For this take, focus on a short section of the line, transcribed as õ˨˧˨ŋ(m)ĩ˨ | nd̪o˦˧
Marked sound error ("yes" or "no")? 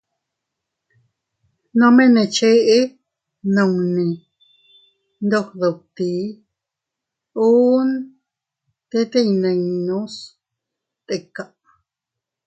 yes